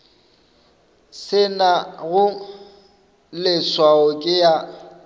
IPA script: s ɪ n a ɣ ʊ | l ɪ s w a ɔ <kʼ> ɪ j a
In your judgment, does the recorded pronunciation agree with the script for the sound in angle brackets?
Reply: yes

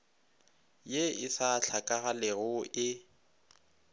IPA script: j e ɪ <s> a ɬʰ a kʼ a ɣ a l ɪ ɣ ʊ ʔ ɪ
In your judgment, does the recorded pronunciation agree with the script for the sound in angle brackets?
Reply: yes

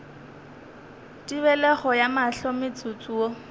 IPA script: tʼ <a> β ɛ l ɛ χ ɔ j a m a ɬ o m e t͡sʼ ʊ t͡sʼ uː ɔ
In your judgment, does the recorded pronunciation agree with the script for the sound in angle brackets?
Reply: no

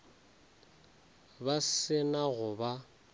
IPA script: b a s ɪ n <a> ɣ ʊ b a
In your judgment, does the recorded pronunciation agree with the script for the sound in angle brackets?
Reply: yes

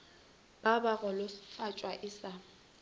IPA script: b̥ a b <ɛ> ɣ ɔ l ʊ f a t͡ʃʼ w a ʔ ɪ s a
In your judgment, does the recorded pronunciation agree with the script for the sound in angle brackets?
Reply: no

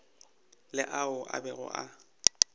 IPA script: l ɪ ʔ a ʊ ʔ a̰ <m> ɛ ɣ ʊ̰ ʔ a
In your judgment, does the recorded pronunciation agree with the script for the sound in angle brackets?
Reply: no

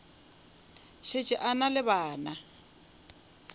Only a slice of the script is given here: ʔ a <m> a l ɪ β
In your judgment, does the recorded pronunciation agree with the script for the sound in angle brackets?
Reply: no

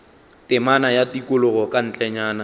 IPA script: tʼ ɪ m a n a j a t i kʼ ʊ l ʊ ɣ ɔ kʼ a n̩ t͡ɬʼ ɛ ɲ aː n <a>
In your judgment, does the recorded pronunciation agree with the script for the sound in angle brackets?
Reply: yes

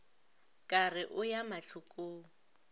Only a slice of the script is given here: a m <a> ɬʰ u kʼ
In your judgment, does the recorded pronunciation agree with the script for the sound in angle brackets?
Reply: yes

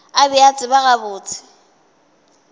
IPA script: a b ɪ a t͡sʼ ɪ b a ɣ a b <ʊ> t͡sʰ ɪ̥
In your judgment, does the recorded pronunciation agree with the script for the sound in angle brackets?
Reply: no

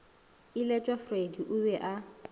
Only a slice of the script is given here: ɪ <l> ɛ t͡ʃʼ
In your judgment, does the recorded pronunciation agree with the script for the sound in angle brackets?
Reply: yes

